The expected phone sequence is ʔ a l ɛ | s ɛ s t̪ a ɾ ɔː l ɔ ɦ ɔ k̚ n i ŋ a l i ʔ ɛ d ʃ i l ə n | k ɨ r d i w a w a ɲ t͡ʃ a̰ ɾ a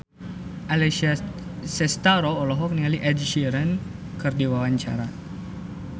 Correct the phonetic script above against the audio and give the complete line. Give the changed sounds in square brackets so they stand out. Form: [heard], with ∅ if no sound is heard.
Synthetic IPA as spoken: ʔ a l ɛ | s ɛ s t̪ a ɾ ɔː l ɔ ɦ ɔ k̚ n i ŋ a l i ʔ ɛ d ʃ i [ɾ] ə n | k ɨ r d i w a w a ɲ t͡ʃ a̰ ɾ a